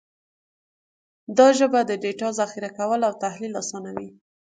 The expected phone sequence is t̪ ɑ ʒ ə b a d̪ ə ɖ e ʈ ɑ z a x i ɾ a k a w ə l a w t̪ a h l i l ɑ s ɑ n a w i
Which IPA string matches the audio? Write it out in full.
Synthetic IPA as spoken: d̪ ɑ ʒ ə b a d̪ ə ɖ e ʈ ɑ z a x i ɾ a k a w ə l a w t̪ a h l i l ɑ s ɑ n a w i